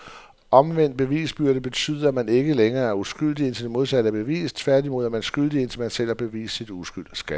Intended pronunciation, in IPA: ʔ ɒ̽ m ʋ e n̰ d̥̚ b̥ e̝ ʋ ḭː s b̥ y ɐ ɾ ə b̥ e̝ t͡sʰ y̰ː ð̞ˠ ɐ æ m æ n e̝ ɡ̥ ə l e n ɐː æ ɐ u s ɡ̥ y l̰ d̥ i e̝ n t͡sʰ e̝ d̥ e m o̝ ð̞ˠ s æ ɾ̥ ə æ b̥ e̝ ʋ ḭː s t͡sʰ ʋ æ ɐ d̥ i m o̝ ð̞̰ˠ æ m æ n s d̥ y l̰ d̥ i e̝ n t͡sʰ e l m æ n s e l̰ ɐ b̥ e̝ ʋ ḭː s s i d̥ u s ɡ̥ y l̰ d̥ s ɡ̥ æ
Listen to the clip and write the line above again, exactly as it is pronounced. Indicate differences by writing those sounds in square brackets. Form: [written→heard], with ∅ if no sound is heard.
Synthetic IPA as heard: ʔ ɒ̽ m ʋ e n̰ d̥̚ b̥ e̝ ʋ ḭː s b̥ y ɐ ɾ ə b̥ e̝ t͡sʰ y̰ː ð̞ˠ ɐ æ m æ n e̝ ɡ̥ ə l e [n→ŋ] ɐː æ ɐ u s ɡ̥ y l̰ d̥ i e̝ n t͡sʰ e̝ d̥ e m o̝ ð̞ˠ s æ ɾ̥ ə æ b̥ e̝ ʋ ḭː s t͡sʰ ʋ æ ɐ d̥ i m o̝ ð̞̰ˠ æ m æ n s [d̥→ɡ̥] y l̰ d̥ i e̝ n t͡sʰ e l m æ n s e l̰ ɐ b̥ e̝ ʋ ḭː s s i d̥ u s ɡ̥ y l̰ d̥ s ɡ̥ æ